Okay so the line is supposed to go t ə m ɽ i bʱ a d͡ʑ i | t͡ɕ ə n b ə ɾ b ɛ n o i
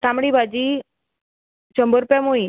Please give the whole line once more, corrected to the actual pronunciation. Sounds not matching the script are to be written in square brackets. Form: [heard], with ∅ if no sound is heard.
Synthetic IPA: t [a] m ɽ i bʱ a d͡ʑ i | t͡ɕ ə [m] b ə ɾ [p] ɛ [m] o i

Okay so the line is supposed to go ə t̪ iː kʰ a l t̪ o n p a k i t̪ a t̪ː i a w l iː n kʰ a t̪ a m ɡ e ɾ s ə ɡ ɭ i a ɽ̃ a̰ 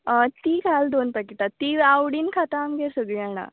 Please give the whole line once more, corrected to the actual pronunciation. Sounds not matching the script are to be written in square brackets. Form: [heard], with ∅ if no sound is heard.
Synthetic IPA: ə t̪ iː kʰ a l [d̪] o n p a k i t̪ a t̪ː i a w [ɽ] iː n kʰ a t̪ a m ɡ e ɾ s ə ɡ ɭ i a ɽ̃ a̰

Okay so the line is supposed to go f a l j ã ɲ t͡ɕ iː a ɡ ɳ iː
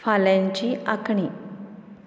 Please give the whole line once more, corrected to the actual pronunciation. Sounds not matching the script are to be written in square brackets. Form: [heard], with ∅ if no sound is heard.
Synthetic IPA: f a l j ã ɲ t͡ɕ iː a [k] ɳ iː

